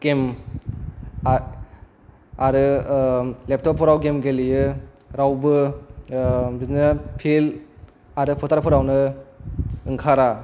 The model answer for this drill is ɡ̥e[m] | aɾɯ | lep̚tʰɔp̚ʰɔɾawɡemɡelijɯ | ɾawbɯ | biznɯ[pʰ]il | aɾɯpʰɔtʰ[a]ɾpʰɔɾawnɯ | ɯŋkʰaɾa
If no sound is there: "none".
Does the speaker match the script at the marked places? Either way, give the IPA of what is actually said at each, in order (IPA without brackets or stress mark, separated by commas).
m, pʰ, a